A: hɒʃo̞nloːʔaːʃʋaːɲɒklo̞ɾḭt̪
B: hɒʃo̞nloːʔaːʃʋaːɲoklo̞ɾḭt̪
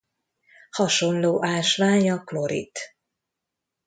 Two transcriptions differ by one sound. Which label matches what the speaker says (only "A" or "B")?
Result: A